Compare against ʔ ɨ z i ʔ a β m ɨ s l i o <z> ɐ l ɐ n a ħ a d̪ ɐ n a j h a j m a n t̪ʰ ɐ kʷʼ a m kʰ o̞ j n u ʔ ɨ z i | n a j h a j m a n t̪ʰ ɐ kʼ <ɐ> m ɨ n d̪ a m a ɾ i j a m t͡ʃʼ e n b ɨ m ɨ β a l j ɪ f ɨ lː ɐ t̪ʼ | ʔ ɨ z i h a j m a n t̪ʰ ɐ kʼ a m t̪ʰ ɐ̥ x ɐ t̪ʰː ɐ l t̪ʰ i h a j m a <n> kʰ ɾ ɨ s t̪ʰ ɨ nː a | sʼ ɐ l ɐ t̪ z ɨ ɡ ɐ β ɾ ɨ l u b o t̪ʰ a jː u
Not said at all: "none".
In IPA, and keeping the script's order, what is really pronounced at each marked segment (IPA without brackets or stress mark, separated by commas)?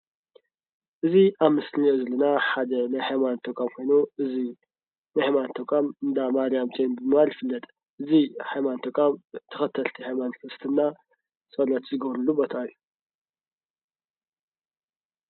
z, a, n